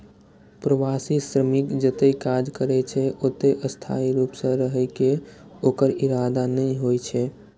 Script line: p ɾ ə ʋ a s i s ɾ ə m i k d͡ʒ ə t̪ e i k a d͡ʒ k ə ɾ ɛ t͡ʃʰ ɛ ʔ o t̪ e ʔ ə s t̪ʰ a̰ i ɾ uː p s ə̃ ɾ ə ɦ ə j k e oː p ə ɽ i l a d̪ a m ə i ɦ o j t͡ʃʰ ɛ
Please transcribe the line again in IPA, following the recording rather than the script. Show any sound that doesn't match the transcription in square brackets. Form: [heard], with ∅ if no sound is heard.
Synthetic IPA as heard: p ɾ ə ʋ a s i s ɾ ə m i k d͡ʒ ə t̪ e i k a d͡ʒ k ə ɾ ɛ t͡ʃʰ ɛ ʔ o t̪ e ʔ ə s t̪ʰ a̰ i ɾ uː p s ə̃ ɾ ə ɦ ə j k e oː [k] ə [ɾ] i [ɾ] a d̪ a [n] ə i ɦ o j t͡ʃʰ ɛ